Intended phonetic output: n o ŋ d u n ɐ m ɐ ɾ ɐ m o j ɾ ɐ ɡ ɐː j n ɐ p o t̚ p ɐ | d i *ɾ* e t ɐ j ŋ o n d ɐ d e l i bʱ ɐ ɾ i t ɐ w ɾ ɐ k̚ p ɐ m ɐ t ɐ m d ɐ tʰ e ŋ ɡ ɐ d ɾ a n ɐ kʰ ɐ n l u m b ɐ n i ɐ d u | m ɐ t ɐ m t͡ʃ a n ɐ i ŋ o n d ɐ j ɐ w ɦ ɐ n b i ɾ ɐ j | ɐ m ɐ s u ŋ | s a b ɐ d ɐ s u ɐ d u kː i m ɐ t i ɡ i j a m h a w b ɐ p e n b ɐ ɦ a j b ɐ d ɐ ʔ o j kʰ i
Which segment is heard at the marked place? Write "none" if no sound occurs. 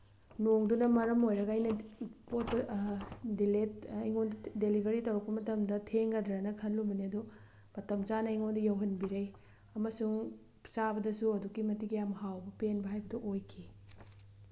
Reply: l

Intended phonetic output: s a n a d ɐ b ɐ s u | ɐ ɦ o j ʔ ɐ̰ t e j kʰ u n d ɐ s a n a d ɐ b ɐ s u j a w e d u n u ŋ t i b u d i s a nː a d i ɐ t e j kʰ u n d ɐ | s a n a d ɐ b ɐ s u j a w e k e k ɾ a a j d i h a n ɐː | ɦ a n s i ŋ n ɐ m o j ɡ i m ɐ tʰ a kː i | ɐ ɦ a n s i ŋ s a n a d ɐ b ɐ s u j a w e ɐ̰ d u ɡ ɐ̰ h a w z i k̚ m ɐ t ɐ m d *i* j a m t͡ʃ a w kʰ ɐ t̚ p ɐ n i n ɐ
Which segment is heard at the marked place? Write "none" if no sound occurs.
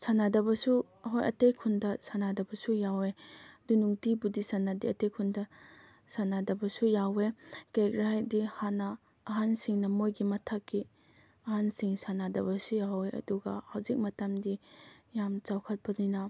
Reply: i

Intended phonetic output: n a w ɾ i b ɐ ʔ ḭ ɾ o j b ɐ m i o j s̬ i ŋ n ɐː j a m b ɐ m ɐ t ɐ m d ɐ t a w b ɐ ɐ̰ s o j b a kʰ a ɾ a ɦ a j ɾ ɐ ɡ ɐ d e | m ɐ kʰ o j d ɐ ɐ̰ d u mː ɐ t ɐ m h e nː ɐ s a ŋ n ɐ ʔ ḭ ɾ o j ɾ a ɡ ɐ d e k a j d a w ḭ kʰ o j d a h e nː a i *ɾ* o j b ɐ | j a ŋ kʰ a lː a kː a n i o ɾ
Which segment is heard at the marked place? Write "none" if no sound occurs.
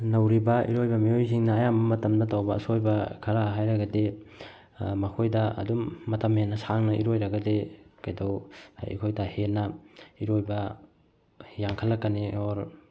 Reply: ɾ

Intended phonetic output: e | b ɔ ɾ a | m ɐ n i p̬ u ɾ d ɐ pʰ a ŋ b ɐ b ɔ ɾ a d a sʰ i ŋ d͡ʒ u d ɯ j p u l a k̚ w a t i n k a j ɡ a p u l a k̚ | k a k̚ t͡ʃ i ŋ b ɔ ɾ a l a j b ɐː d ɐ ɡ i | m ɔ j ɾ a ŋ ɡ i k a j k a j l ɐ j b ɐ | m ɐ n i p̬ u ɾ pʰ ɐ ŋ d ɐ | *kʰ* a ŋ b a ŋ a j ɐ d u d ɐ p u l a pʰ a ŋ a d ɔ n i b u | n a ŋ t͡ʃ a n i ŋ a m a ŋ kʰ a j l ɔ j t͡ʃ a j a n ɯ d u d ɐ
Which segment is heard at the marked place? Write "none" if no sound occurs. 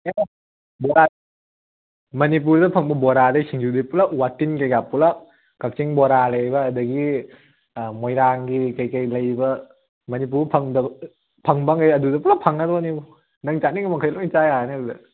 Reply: pʰ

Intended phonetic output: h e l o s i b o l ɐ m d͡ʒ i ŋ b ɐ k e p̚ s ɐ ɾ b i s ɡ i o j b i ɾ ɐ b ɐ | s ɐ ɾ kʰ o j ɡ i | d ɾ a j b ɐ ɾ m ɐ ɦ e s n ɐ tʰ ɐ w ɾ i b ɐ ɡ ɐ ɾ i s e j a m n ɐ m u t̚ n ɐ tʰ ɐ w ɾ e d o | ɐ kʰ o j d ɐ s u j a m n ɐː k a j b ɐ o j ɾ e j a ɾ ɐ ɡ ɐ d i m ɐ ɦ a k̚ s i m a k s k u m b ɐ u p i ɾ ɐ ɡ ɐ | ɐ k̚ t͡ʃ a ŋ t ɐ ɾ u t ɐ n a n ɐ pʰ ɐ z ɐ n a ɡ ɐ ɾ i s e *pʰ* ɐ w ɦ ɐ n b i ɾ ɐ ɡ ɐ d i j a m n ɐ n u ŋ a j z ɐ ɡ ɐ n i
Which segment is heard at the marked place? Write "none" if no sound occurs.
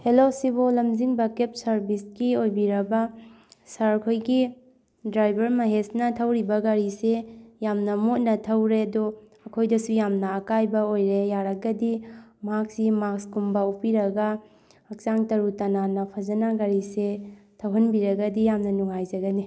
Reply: tʰ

